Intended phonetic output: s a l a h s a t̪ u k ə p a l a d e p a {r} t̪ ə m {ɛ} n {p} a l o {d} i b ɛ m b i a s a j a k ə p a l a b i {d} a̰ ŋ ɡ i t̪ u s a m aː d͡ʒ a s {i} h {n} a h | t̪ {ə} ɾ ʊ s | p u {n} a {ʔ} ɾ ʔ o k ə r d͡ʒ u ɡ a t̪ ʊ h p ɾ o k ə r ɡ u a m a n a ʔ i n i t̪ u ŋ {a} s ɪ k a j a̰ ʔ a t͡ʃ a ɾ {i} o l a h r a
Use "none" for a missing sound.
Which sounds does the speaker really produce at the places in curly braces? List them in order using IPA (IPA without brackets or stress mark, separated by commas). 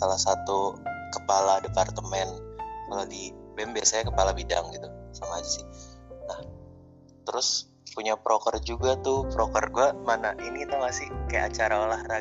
r, ɛ, k, d, d, ɪ, n, ə, ɲ, p, a, a